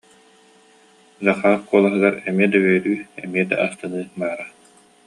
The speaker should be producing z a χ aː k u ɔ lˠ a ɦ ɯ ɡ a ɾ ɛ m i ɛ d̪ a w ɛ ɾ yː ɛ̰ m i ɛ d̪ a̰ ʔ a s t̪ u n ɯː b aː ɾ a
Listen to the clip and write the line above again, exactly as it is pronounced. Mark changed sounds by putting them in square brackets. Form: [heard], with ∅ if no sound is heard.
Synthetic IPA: z a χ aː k u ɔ lˠ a ɦ ɯ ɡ a ɾ ɛ m i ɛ d̪ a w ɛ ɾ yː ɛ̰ m i ɛ d̪ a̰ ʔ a s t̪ [ɯ] n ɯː b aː ɾ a